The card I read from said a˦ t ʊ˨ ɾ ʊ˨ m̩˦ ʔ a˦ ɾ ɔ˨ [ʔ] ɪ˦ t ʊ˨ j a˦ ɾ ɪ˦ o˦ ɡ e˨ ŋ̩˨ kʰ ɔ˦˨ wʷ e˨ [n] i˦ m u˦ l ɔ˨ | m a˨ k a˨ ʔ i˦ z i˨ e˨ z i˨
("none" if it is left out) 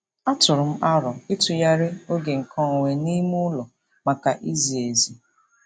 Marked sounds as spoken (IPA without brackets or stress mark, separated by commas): none, n